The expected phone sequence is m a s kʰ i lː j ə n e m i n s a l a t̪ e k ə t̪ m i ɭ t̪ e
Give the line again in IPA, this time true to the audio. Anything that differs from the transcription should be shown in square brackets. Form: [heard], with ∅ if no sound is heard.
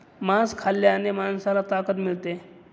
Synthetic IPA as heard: m a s kʰ [a] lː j [a] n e m [a] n s a l a t̪ [a] k ə t̪ m i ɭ t̪ e